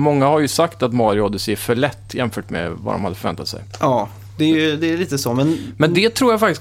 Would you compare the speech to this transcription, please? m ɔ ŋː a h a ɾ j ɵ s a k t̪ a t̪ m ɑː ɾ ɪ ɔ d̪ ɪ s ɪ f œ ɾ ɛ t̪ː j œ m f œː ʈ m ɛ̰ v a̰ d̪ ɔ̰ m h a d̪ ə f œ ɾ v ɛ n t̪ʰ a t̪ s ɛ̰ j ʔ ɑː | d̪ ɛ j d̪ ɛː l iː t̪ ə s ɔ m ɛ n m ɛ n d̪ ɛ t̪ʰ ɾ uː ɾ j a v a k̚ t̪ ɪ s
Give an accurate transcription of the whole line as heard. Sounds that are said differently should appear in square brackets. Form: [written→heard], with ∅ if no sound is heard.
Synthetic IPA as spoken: m ɔ ŋː a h a ɾ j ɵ s a k t̪ a t̪ m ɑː ɾ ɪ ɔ d̪ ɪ s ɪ f œ [ɾ→ɭ] ɛ t̪ː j [œ→ɛ] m f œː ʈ m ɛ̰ v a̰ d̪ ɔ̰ m h a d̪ ə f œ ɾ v ɛ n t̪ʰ a t̪ s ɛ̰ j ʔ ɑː | d̪ ɛ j d̪ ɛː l iː t̪ ə s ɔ m ɛ n m ɛ n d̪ ɛ t̪ʰ ɾ uː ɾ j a [v→f] a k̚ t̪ ɪ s